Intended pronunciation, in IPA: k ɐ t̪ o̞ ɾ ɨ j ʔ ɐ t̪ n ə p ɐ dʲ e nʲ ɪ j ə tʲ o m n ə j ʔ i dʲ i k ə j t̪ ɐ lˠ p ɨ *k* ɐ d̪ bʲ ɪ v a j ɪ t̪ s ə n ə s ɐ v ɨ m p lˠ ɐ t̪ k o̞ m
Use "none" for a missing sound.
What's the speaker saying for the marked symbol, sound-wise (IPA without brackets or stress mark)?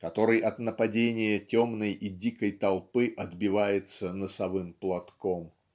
ʔ